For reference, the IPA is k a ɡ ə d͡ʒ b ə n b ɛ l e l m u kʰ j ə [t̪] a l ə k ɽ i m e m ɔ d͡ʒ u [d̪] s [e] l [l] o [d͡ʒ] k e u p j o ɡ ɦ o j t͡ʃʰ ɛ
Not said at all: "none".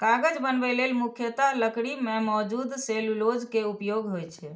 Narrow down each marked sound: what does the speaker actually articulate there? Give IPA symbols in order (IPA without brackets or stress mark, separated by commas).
t̪, d̪, e, l, d͡ʒ